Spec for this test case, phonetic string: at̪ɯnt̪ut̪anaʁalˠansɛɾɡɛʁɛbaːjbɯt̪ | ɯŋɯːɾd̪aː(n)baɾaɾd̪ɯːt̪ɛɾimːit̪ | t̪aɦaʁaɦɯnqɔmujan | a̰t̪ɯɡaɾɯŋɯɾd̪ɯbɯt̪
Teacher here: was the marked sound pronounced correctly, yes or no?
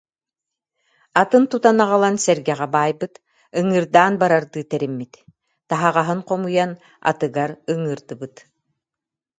yes